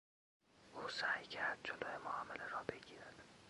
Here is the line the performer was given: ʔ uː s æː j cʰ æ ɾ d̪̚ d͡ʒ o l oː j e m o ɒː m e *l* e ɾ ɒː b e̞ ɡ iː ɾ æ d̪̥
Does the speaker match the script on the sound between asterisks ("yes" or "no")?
yes